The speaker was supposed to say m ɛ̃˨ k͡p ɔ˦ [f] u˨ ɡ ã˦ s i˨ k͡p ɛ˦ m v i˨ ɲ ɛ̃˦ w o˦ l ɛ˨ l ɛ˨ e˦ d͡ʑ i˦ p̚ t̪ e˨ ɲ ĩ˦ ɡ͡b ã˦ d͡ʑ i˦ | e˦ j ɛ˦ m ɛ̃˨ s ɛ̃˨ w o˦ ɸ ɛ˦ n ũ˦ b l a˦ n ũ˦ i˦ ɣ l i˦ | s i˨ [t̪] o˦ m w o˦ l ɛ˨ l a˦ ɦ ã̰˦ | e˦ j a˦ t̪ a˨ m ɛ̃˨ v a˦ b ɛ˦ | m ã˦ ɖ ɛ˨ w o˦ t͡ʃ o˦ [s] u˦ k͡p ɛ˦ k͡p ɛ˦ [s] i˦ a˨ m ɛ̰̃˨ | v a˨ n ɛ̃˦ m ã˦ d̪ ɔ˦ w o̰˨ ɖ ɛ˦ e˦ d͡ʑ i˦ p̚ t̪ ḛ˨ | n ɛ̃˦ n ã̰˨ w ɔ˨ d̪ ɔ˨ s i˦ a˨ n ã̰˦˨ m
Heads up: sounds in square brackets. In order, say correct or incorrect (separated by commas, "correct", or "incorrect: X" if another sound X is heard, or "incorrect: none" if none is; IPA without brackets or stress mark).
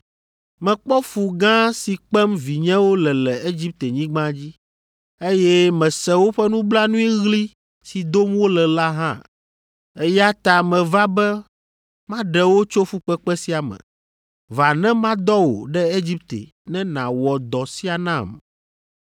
correct, incorrect: d̪, incorrect: f, correct